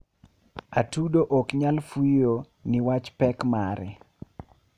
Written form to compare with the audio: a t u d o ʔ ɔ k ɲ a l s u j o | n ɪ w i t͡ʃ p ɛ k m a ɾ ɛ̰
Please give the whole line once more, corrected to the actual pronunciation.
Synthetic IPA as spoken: a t u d o ʔ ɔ k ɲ a l f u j o | n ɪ w a t͡ʃ p ɛ k m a ɾ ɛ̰